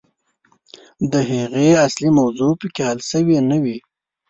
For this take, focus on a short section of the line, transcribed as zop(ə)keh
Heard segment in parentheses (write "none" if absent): ə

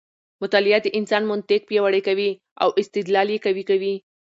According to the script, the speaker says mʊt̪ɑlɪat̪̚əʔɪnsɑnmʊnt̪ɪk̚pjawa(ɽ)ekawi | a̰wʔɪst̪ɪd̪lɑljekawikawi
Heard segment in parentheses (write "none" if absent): ɽ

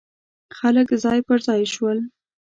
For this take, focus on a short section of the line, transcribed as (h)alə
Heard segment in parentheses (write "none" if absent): x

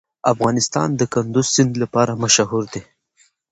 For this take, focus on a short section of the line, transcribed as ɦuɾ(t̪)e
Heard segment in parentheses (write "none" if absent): d̪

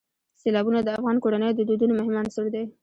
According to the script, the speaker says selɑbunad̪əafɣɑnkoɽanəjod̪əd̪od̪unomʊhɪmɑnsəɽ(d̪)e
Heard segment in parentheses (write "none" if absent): d̪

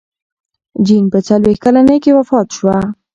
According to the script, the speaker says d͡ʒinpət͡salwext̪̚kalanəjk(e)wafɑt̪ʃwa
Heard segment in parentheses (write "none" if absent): e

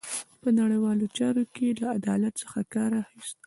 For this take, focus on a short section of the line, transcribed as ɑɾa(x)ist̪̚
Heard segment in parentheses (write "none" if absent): x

